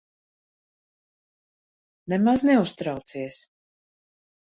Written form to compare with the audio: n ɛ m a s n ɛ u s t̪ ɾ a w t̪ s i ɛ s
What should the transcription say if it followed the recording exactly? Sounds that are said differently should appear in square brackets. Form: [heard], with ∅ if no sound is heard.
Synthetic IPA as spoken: n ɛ m a [z] n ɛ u s t̪ ɾ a w t̪ s i ɛ s